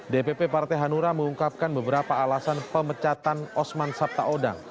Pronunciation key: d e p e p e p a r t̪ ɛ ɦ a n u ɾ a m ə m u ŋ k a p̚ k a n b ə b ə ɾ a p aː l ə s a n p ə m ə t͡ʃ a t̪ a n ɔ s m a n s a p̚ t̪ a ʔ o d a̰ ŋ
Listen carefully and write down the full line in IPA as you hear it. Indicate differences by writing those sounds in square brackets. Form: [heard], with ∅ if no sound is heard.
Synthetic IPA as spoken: d e p e p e p a r t̪ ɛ ɦ a n u ɾ a m ə [ŋ] u ŋ k a p̚ k a n b ə b ə ɾ a p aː l [a] s a n p ə m ə t͡ʃ a t̪ a n ɔ s m a n s a p̚ t̪ a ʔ o d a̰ ŋ